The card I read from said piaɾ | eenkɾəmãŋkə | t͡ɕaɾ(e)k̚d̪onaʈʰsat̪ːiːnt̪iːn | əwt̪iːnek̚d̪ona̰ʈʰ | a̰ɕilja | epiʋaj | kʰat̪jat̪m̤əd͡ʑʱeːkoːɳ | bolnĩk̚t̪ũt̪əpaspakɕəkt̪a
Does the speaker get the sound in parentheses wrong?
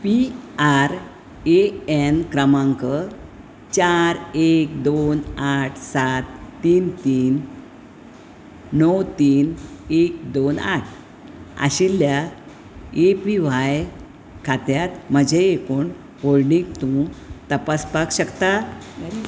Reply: no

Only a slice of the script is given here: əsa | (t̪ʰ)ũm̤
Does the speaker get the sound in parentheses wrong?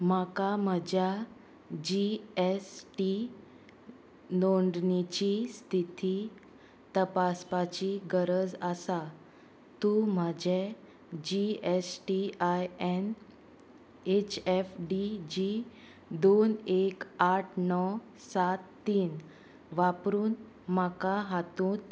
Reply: yes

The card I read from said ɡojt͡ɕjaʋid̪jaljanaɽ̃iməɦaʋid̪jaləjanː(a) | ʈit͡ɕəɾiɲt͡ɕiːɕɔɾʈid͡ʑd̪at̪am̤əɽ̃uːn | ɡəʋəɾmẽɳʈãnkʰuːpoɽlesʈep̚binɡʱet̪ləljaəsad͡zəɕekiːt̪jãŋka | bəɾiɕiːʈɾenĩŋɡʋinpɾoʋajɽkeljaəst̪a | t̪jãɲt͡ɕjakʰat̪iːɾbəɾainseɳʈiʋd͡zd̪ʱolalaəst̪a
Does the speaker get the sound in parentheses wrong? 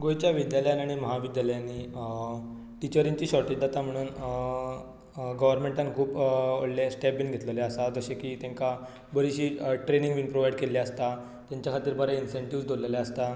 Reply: yes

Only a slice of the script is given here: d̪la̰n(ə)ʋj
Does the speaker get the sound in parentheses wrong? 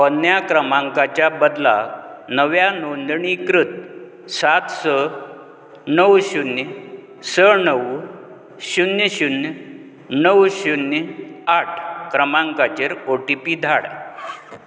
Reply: no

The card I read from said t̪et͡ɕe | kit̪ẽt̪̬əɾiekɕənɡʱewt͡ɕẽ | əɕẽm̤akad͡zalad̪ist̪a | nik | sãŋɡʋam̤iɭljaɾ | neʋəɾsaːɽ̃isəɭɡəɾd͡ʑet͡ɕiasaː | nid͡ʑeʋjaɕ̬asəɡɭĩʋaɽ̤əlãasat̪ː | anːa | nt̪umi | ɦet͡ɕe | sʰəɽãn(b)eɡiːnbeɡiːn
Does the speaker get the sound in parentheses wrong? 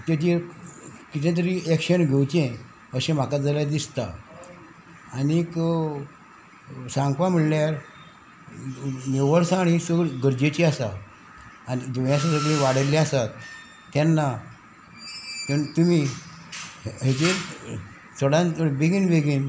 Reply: no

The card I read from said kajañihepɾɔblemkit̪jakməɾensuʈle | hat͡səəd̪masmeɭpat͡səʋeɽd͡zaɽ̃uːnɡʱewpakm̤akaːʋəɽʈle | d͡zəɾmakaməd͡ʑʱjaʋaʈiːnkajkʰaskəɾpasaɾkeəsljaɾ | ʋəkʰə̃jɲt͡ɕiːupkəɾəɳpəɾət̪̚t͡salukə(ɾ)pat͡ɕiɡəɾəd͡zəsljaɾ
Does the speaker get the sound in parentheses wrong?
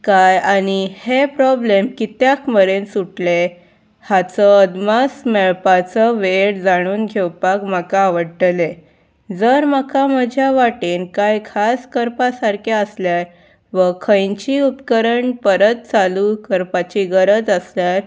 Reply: no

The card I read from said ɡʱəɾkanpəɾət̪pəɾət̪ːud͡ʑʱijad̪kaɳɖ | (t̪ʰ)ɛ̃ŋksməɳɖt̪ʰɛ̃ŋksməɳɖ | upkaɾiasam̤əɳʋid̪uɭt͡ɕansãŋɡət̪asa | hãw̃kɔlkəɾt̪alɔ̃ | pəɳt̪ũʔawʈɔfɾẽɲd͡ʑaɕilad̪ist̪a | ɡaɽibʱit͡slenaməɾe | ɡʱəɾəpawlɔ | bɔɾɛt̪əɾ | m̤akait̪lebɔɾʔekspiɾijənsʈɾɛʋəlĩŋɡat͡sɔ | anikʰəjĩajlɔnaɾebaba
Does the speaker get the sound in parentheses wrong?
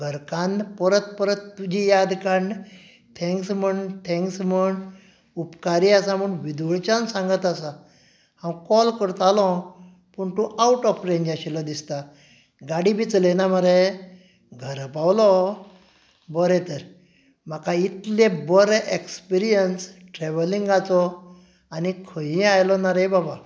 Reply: no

